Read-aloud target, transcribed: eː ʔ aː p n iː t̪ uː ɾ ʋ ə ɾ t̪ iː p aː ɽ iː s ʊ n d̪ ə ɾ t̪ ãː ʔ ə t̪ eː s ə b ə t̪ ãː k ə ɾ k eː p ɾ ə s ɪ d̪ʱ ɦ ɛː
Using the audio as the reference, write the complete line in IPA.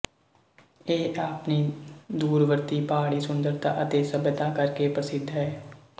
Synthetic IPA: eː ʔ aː p n iː d̪ uː ɾ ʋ ə ɾ t̪ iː p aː ɽ iː s ʊ n d̪ ə ɾ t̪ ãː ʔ ə t̪ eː s ə b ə t̪ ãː k ə ɾ k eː p ɾ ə s ɪ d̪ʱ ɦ ɛː